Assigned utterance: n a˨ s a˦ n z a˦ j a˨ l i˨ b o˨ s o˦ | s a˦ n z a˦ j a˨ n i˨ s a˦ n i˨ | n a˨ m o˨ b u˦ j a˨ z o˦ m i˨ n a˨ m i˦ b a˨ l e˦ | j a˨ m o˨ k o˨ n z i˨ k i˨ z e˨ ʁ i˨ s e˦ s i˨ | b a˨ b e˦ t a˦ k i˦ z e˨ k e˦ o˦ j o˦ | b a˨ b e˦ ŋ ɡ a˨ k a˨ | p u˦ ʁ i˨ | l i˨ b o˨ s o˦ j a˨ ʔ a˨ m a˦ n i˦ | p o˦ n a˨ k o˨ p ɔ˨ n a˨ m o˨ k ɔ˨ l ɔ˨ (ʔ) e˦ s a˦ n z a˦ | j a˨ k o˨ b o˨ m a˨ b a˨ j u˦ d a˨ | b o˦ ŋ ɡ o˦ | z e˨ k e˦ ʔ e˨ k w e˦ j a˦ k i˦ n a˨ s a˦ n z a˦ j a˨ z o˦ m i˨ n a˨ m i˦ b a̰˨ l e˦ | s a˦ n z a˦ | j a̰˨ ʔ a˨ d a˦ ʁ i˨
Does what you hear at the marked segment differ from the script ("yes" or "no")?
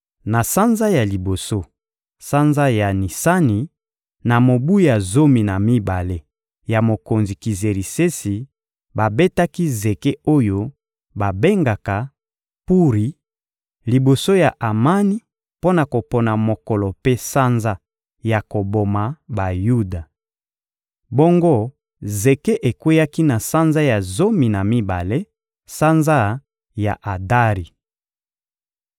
yes